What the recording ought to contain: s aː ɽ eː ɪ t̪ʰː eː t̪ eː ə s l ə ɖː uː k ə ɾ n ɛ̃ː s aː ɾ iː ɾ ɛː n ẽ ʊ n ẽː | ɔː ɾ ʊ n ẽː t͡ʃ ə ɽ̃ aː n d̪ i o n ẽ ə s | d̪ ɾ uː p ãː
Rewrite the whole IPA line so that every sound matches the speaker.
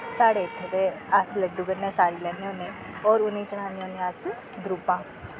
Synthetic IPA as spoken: s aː ɽ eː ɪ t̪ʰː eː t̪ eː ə s l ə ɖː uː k ə ɾ n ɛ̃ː s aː ɾ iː l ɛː n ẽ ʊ n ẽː | ɔː ɾ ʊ n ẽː t͡ʃ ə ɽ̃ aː n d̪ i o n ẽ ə s | d̪ ɾ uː p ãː